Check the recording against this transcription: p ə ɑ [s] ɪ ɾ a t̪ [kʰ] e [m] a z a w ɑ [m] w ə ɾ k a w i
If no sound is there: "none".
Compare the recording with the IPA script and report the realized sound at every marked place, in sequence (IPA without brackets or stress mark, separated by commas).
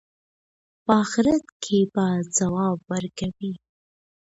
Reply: x, kʰ, b, b